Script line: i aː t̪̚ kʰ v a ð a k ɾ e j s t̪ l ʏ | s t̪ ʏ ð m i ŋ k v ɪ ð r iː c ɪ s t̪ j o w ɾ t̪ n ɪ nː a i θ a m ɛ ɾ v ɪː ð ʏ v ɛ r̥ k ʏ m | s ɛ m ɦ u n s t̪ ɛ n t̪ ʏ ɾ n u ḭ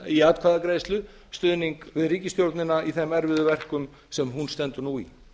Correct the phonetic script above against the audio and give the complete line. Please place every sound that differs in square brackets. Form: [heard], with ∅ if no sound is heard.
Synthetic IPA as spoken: i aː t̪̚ kʰ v a ð a k ɾ e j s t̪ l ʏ | s t̪ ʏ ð [n] i ŋ k v ɪ ð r iː c ɪ s t̪ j o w ɾ t̪ n ɪ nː a i θ [ɛ] m ɛ ɾ v [ɪ] ð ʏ v ɛ r̥ k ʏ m | s ɛ m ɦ u n s t̪ ɛ n t̪ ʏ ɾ n u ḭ